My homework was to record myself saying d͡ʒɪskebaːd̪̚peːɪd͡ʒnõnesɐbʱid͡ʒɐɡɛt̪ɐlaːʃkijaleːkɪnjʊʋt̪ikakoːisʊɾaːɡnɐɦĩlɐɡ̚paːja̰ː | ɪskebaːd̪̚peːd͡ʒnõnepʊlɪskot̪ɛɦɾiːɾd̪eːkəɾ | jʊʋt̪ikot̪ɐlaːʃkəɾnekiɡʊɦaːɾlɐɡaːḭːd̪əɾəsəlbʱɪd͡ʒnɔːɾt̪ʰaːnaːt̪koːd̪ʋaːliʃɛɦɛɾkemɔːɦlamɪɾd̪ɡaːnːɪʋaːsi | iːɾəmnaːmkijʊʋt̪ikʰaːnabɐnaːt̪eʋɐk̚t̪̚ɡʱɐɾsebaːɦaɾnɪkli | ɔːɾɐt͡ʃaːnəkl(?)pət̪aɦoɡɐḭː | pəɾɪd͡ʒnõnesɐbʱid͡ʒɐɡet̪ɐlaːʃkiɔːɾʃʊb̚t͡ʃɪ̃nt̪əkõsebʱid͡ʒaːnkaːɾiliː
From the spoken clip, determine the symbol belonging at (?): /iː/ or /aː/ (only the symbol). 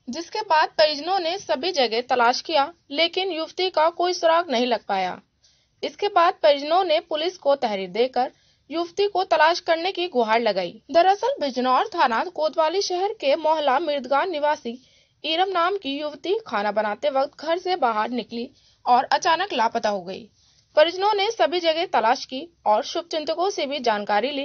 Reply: aː